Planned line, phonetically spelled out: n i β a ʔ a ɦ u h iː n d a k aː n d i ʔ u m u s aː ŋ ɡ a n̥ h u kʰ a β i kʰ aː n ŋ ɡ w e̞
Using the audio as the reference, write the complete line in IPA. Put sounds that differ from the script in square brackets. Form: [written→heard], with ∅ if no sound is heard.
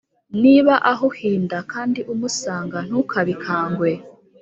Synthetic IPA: n i β a ʔ a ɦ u h iː n d a k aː n d i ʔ u m u s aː ŋ ɡ a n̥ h u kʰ a β i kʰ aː [n→∅] ŋ ɡ w e̞